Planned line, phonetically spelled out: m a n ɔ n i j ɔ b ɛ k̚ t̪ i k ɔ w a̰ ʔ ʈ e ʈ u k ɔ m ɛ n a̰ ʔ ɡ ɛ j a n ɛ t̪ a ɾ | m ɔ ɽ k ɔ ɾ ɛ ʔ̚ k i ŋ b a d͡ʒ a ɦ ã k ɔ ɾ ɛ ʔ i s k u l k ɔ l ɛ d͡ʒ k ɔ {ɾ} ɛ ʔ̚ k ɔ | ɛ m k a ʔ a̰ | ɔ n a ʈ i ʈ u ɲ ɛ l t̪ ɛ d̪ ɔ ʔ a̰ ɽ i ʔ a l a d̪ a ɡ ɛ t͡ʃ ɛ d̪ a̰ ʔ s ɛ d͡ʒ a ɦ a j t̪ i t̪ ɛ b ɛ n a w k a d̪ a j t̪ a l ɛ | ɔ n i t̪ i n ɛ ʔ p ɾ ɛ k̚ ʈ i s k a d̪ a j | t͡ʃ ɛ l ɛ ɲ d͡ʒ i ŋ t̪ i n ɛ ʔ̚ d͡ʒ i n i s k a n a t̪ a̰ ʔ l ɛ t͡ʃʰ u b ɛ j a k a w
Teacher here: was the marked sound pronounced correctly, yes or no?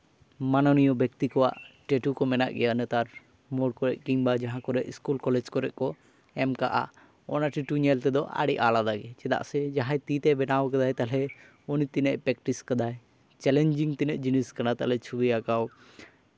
yes